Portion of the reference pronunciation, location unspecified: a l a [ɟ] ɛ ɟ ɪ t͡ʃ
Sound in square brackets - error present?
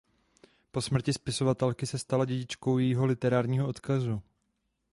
no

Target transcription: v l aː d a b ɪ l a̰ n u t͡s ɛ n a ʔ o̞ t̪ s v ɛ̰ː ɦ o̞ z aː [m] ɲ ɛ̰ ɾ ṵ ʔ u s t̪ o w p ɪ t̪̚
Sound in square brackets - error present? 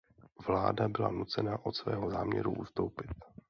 no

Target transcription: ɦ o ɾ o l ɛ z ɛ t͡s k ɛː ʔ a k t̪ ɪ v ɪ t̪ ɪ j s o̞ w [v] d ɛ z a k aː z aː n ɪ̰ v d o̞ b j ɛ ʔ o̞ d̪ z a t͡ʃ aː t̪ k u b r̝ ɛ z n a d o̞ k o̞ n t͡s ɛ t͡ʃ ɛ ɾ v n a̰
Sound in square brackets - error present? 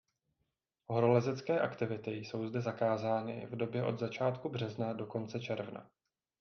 yes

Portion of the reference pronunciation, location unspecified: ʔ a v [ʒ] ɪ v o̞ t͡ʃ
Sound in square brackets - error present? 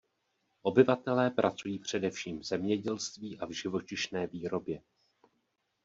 no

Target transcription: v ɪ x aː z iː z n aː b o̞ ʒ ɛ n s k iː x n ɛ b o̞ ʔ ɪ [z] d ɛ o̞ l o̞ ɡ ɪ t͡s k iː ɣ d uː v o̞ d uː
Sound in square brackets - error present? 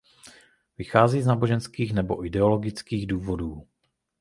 yes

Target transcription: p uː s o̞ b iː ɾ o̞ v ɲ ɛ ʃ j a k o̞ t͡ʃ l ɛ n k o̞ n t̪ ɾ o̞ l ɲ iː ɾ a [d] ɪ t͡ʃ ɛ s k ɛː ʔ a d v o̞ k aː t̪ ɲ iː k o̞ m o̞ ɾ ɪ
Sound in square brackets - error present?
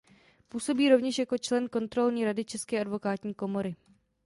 no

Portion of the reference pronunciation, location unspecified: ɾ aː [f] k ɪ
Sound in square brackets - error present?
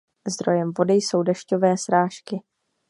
yes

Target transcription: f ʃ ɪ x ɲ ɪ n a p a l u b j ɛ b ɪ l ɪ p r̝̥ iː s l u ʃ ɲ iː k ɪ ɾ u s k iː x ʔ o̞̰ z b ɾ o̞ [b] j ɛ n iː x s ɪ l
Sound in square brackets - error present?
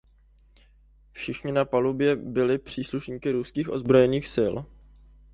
yes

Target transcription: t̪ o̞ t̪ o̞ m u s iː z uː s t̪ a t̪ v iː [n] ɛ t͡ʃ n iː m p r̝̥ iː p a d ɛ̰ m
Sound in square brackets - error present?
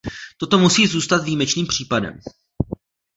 yes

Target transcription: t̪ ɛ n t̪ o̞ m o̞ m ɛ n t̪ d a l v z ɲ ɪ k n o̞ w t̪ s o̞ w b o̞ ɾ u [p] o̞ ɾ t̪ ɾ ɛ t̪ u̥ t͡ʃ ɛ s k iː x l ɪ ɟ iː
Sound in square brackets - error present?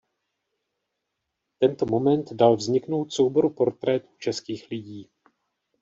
no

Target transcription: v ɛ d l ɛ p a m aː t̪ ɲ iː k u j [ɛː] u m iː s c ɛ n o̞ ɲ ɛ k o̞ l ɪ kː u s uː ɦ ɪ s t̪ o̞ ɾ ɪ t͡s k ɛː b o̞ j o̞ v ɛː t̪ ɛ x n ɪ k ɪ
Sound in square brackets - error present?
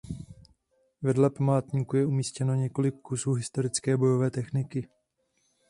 yes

